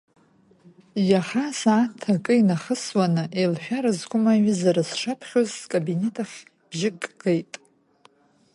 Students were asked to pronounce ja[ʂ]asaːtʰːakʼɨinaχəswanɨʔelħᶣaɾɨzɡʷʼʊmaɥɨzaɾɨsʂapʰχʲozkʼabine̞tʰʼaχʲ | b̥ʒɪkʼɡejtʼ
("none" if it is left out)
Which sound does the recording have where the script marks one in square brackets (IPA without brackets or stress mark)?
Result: χ